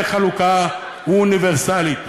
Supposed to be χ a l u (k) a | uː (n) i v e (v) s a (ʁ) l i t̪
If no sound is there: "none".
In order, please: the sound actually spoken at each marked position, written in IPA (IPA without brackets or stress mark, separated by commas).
k, n, ʁ, none